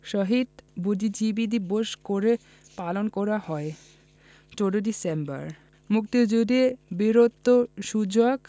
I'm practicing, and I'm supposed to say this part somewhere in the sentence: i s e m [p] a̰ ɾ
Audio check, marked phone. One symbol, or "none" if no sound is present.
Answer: b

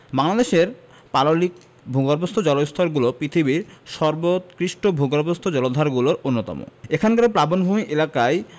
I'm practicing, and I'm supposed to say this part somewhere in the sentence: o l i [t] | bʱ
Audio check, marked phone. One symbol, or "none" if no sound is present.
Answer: k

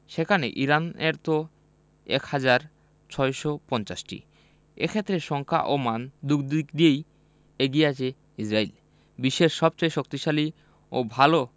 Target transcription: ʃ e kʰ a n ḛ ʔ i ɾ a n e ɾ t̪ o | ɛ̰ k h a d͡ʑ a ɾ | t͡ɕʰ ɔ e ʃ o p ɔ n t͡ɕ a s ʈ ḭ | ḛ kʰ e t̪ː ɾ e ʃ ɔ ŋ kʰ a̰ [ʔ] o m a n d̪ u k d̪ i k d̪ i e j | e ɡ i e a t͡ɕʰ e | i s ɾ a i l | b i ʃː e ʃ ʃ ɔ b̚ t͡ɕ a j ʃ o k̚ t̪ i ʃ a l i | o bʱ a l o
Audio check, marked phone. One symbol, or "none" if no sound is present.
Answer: ʔ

